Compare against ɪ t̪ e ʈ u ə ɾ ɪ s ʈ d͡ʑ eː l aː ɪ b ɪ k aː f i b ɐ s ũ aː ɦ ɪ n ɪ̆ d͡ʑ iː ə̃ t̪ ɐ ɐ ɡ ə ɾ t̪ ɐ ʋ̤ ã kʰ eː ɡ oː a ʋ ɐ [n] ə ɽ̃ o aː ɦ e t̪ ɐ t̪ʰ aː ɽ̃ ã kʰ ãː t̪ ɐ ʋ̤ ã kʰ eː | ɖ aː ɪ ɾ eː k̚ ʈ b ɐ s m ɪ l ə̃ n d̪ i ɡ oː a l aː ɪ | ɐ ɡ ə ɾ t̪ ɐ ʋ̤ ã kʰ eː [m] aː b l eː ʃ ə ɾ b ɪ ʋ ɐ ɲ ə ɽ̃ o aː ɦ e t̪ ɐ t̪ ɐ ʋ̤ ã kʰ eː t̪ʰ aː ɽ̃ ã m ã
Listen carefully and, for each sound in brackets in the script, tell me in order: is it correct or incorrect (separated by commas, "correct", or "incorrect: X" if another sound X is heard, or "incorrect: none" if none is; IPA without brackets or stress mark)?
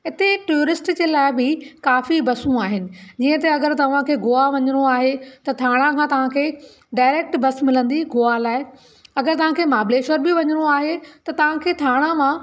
incorrect: ɲ, correct